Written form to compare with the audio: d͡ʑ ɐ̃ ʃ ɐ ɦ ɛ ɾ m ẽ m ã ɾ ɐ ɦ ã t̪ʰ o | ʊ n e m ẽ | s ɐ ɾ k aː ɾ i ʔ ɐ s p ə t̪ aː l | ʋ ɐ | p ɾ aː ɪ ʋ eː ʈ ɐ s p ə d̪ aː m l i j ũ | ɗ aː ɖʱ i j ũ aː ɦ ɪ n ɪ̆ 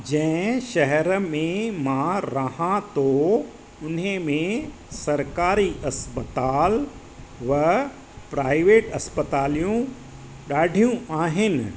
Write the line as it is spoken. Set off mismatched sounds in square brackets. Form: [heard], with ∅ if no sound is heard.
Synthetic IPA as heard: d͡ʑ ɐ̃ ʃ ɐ ɦ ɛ ɾ m ẽ m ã ɾ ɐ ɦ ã [t̪] o | ʊ n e m ẽ | s ɐ ɾ k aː ɾ i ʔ ɐ s p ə t̪ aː l | ʋ ɐ | p ɾ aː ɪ ʋ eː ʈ ɐ s p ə [t̪] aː [∅] l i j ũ | ɗ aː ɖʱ i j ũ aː ɦ ɪ n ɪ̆